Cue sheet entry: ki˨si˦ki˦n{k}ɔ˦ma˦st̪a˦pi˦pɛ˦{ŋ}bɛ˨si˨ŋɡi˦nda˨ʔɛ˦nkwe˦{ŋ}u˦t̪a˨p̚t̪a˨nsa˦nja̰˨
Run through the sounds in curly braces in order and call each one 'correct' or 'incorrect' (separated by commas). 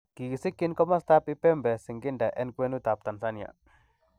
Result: correct, incorrect, incorrect